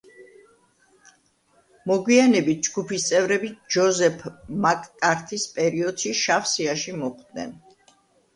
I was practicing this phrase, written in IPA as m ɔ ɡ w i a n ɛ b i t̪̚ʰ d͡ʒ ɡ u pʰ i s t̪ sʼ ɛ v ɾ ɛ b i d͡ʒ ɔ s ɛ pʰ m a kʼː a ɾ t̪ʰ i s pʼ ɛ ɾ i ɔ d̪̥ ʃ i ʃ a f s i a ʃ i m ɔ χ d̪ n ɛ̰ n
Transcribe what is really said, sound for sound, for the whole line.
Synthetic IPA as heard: m ɔ ɡ w i a n ɛ b i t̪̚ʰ d͡ʒ ɡ u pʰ i s t̪ sʼ ɛ v ɾ ɛ b i d͡ʒ ɔ z ɛ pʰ m a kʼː a ɾ t̪ʰ i s pʼ ɛ ɾ i ɔ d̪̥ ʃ i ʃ a f s i a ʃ i m ɔ χ d̪ n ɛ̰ n